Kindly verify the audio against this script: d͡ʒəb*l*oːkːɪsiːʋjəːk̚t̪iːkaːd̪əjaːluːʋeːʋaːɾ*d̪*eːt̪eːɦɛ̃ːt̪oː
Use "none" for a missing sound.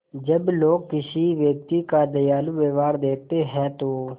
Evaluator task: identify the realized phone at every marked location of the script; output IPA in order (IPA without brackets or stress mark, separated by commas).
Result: l, d̪